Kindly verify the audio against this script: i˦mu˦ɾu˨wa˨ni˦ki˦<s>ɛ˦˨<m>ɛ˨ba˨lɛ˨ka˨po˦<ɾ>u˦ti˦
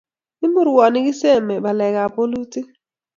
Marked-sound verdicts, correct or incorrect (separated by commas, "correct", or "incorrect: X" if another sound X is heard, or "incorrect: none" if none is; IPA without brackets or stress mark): correct, correct, incorrect: l